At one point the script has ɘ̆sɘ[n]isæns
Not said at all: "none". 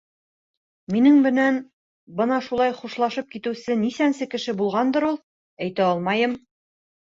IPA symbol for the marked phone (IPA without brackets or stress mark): n